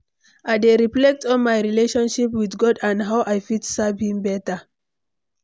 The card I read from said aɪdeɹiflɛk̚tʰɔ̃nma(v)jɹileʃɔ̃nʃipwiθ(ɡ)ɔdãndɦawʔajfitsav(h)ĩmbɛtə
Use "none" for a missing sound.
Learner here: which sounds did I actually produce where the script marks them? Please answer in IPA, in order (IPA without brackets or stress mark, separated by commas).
none, ɡ, h